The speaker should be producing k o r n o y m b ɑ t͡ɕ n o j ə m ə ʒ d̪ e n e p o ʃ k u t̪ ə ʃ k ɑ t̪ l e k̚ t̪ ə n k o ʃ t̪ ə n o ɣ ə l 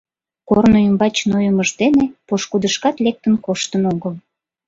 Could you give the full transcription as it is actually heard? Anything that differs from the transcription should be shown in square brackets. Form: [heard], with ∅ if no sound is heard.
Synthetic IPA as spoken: k o r n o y m b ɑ t͡ɕ n o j ə m ə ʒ d̪ e n e p o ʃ k u [d̪] ə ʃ k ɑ t̪ l e k̚ t̪ ə n k o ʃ t̪ ə n o ɣ ə l